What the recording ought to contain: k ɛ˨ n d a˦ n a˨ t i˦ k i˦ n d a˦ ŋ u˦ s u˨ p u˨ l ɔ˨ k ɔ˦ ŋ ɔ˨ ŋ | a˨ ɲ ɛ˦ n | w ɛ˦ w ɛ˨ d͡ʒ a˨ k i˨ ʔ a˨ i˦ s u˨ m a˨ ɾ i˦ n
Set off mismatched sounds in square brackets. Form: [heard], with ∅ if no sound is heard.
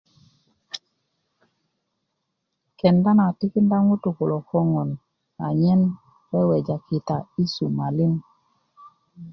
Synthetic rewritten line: k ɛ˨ n d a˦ n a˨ t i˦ k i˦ n d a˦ ŋ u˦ [t] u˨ [k] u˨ l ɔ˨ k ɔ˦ ŋ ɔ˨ [n] | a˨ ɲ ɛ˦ n | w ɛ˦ w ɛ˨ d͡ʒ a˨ k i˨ [t] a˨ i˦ s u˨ m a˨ [l] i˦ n

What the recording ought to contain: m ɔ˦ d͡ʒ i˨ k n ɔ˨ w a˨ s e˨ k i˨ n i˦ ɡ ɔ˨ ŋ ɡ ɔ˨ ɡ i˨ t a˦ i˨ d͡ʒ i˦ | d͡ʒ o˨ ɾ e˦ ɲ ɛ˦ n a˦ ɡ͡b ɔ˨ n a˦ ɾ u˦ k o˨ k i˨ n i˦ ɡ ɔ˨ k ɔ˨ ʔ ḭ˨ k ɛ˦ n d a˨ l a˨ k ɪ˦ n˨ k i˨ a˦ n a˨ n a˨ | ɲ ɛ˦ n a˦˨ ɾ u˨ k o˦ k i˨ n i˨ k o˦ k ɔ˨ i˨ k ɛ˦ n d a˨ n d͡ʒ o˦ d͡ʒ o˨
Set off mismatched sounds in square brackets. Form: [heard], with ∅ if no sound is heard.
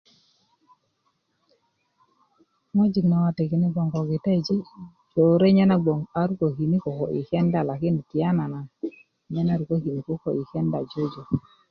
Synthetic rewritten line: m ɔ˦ d͡ʒ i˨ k n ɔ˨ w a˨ [t] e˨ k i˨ n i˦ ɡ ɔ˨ ŋ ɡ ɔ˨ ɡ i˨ t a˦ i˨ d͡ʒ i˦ | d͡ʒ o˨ ɾ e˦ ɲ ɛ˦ n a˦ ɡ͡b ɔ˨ [ŋ] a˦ ɾ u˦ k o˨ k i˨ n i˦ [k] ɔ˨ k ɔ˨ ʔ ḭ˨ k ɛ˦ n d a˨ l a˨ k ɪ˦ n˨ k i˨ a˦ n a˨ n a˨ | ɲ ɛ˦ n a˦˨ ɾ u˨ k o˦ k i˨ n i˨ k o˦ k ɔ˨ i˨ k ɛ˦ n d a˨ [∅] d͡ʒ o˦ d͡ʒ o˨

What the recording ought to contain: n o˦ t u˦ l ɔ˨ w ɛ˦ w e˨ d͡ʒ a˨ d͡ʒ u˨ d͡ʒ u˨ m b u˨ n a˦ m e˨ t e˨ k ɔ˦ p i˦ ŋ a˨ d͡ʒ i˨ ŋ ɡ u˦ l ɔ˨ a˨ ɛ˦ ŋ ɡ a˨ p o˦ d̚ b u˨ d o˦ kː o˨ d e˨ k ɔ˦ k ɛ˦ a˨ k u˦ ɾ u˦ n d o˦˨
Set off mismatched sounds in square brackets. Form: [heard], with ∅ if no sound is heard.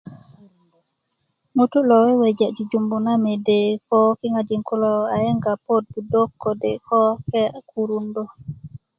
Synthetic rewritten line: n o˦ t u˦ l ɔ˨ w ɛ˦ w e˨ d͡ʒ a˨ d͡ʒ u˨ d͡ʒ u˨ m b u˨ n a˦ m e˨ [d] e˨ k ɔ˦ [k] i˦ ŋ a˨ d͡ʒ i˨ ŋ [k] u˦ l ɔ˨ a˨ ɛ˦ ŋ ɡ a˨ p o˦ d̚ b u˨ d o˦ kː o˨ d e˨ k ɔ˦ k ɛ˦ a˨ k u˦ ɾ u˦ n d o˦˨

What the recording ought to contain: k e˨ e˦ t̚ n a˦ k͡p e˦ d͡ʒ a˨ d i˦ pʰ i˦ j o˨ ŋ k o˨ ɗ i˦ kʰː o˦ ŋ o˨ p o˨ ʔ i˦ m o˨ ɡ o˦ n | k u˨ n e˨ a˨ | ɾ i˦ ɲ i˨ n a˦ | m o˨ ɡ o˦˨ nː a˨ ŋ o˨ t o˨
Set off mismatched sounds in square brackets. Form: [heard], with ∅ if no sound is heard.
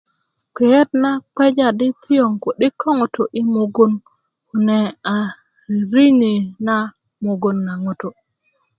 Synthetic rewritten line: k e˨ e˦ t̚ n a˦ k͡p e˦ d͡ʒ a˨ d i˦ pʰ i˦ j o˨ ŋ k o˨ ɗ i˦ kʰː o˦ ŋ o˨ [t] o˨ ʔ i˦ m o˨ ɡ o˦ n | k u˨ n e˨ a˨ | ɾ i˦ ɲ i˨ n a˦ | m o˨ ɡ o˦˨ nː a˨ ŋ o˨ t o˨

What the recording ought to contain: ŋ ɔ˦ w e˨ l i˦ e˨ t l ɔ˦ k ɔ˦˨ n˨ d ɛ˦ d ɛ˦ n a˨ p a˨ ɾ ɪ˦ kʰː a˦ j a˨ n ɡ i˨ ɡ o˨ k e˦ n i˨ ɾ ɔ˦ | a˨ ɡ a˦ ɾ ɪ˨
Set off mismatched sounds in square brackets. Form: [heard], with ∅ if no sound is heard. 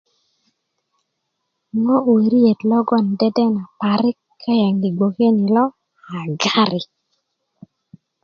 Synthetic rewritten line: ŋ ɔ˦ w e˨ [ɾ] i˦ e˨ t l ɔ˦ [ɡ] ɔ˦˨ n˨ d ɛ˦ d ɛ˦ n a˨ p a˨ ɾ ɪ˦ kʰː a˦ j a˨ [ŋ] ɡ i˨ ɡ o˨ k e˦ n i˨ [l] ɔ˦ | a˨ ɡ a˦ ɾ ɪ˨

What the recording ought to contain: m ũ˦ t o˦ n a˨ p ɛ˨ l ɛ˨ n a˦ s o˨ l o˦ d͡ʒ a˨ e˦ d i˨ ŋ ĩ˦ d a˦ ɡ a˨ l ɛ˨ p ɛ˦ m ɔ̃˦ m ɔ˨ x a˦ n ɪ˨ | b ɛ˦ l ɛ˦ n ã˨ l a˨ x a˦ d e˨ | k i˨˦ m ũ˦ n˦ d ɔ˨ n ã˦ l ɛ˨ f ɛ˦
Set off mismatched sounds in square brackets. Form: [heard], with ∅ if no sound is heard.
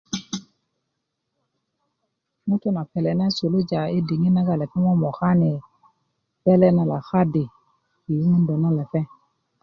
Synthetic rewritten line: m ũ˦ t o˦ n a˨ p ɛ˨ l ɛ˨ n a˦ s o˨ l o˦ d͡ʒ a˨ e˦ d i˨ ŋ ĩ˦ [n] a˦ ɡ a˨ l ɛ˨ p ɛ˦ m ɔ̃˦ m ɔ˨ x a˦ n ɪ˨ | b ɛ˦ l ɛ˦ n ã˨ l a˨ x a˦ d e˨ | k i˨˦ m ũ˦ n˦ d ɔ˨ n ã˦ l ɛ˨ f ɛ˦

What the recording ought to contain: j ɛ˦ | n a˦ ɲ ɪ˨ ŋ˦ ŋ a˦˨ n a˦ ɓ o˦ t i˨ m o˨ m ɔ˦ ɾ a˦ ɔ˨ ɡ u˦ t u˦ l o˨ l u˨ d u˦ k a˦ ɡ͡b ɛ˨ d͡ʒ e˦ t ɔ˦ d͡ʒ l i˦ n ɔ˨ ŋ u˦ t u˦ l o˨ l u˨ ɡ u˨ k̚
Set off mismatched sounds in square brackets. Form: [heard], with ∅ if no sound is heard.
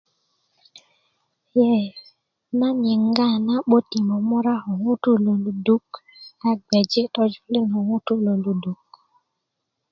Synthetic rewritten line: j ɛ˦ | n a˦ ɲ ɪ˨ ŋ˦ [ɡ] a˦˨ n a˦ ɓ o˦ t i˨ m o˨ m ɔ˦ ɾ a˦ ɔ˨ [ŋ] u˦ t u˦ l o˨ l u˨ d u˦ k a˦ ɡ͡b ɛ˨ d͡ʒ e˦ t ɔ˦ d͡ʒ l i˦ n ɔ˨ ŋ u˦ t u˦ l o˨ l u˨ [d] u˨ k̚

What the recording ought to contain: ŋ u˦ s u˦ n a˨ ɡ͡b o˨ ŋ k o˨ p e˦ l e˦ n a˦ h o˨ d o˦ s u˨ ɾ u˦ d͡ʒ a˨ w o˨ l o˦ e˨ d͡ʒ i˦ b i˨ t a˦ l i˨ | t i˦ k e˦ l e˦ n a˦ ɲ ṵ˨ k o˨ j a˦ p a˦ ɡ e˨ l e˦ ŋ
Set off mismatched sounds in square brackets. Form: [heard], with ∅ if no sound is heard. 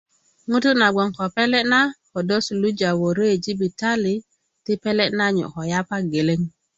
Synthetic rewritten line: ŋ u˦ [t] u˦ n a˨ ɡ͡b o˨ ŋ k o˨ p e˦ l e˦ n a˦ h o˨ d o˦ s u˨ [l] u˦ d͡ʒ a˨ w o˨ [ɾ] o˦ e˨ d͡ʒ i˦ b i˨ t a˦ l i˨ | t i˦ [p] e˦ l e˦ n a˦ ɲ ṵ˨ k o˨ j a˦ p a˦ ɡ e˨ l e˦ ŋ

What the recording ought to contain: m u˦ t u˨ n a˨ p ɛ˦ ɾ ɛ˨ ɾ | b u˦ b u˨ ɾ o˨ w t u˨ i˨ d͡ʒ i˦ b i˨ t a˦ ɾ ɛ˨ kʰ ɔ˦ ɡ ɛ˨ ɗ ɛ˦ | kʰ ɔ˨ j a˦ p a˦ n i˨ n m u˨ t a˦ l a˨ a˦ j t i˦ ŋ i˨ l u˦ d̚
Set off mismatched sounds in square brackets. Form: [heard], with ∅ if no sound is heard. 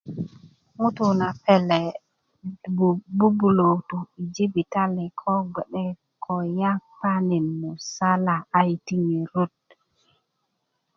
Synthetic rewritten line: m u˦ t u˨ n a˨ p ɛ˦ [l] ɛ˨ [∅] | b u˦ b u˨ [l] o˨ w t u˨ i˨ d͡ʒ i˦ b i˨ t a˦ [l] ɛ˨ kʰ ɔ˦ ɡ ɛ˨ ɗ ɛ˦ | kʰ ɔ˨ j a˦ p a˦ n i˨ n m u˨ [s] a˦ l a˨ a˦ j t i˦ ŋ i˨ [ɾ] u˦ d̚

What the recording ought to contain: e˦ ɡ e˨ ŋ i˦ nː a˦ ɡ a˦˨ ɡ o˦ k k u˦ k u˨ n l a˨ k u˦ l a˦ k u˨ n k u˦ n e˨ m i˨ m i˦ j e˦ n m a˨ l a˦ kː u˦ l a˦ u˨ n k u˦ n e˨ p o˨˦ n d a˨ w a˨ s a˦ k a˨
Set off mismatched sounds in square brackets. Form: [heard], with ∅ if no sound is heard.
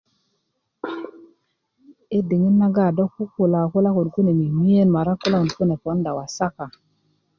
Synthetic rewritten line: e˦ [d] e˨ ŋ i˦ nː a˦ ɡ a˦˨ [d] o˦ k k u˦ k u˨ [∅] l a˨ k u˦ l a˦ k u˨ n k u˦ n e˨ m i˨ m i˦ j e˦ n m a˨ [ɾ] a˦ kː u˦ l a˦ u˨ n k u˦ n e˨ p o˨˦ n d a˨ w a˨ s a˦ k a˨

